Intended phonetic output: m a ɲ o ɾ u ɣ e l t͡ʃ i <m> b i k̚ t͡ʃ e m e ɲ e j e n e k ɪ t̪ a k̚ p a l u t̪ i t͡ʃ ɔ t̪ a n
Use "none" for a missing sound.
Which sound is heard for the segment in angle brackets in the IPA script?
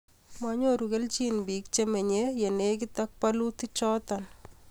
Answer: n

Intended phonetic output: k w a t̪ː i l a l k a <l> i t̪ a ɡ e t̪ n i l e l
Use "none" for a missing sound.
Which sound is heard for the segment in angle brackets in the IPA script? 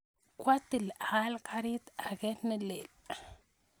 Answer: ɾ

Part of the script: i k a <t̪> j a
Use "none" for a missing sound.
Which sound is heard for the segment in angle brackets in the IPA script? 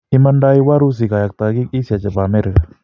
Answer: none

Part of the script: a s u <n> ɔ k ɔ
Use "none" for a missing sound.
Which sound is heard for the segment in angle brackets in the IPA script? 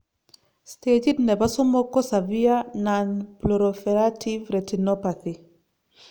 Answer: m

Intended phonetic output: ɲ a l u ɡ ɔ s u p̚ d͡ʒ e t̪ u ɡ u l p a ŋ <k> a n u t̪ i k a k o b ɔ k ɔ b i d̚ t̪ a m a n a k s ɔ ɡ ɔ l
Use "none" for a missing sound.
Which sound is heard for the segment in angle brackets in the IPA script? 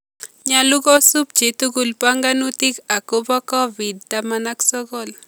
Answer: ɡ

